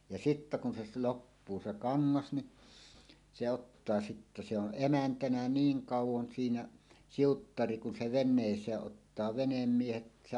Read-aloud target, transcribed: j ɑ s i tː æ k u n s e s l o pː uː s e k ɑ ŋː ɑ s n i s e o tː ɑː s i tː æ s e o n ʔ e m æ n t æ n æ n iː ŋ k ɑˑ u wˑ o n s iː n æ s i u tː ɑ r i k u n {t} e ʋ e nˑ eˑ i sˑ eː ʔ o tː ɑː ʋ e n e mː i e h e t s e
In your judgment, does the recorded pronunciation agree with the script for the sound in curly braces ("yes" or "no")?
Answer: no